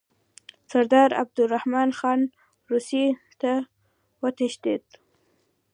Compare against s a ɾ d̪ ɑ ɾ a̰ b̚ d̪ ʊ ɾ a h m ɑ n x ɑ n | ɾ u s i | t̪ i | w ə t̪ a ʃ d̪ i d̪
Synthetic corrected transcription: s a ɾ d̪ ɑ ɾ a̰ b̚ d̪ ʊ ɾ a h m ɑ n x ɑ n | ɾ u s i | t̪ a | w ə t̪ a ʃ d̪ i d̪